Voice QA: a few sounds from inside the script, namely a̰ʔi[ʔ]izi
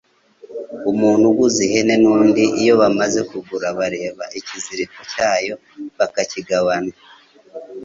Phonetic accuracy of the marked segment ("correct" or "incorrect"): incorrect